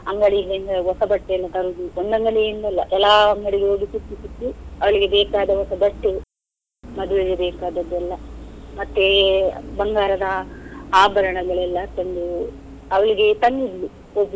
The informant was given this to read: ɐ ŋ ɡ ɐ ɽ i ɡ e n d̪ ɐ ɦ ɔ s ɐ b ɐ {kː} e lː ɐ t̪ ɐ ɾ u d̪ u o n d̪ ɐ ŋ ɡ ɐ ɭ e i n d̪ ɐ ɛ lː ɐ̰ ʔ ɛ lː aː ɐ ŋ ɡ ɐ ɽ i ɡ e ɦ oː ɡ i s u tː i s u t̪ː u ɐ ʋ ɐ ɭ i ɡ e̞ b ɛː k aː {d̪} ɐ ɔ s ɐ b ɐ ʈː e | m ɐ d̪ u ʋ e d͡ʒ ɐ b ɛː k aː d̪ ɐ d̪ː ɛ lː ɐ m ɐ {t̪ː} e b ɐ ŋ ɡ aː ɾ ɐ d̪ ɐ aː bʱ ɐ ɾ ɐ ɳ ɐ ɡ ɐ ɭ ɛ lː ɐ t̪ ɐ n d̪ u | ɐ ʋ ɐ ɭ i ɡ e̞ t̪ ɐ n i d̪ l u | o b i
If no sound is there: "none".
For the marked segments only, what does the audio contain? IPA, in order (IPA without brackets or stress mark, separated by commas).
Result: ʈː, d̪, t̪ː